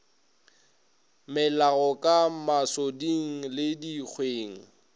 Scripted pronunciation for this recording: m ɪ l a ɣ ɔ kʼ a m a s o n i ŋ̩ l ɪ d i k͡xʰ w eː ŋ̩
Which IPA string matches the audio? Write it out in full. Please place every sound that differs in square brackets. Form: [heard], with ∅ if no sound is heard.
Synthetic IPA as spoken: m ɪ l a ɣ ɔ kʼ a m a s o [d] i ŋ̩ l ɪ d i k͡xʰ w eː ŋ̩